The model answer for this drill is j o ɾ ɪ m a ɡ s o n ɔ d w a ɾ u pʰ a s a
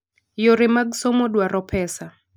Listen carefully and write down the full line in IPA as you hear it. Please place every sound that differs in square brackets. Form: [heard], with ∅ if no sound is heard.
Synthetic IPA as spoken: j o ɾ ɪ m a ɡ s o [m] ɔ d w a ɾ [ɔ] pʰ [ɛ] s a